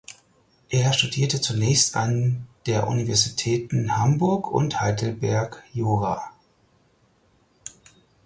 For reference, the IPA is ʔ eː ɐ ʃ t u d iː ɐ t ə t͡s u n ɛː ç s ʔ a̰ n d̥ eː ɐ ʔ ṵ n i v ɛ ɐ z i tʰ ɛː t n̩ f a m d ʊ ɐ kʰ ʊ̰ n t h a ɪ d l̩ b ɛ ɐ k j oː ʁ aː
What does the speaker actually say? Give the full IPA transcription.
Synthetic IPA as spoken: ʔ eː ɐ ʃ t u d iː ɐ t ə t͡s u n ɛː ç s t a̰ n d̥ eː ɐ ʔ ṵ n i v ɛ ɐ z i tʰ ɛː t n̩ h a m b ʊ ɐ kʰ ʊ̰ n t h a ɪ d l̩ b ɛ ɐ k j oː ʁ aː